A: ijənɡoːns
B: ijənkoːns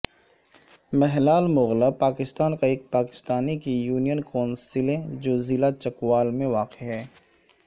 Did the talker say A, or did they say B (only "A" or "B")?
B